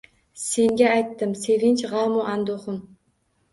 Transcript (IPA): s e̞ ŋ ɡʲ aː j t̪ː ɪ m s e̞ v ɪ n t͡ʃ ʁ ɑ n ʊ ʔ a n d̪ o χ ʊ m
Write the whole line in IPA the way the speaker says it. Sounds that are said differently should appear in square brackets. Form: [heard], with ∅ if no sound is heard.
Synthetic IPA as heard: s e̞ ŋ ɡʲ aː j t̪ː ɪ m s e̞ v ɪ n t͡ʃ ʁ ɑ [m] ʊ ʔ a n d̪ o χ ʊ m